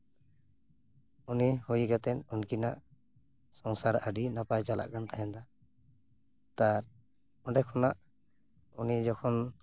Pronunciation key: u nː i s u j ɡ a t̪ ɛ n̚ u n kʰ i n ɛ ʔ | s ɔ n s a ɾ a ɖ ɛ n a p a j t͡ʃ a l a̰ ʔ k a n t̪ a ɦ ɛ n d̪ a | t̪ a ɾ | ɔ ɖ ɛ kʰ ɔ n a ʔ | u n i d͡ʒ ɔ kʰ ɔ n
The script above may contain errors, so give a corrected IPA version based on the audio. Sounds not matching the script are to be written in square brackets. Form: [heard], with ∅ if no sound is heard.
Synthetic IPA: u [n] i [h] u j ɡ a t̪ ɛ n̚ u n [k] i n [a] ʔ | s ɔ [ŋ] s a ɾ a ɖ [i] n a p a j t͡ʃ a l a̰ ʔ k a n t̪ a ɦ ɛ n d̪ a | t̪ a ɾ | ɔ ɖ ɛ kʰ ɔ n a ʔ | u n i d͡ʒ ɔ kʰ ɔ n